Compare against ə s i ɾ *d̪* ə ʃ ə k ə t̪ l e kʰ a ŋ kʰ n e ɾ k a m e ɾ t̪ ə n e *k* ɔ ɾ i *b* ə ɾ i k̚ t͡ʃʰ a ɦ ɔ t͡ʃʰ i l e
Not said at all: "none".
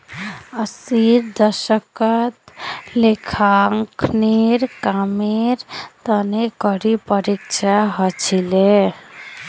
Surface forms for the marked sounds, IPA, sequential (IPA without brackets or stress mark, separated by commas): d̪, k, p